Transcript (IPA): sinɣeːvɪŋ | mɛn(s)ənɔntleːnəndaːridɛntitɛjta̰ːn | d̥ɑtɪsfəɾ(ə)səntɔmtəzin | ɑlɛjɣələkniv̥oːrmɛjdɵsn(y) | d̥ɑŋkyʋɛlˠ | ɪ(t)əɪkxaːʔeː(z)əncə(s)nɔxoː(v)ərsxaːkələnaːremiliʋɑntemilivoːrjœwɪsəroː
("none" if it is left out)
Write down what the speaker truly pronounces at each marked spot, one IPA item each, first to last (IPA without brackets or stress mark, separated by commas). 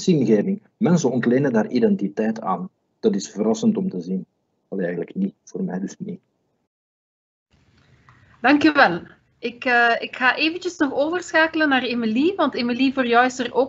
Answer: s, ɑ, i, k, v, s, v